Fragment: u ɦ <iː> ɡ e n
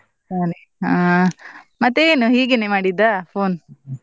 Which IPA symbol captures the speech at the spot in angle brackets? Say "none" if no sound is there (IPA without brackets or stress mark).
iː